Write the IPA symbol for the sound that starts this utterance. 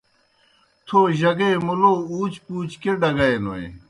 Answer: t̪ʰ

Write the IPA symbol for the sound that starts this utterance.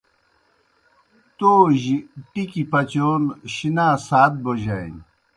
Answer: t̪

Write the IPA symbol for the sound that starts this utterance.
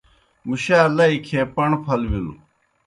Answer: m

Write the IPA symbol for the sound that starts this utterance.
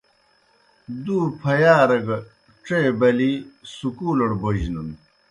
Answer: d̪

